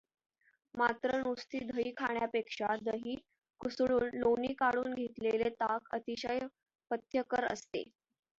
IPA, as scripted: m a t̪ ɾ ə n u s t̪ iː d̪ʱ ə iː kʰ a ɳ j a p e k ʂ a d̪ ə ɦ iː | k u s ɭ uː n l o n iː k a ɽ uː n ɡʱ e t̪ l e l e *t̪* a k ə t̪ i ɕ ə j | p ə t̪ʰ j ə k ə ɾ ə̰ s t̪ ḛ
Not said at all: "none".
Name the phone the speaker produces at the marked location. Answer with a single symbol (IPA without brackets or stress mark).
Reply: t̪